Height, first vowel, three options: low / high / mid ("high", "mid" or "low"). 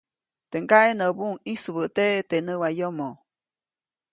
mid